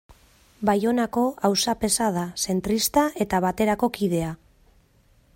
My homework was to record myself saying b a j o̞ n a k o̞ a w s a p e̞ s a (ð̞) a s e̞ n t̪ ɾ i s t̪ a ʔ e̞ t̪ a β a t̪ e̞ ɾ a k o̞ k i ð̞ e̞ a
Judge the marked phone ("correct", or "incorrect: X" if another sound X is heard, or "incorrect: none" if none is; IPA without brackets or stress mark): correct